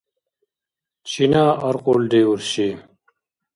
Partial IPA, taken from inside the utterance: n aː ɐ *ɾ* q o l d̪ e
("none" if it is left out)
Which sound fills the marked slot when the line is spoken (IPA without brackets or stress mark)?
ɾ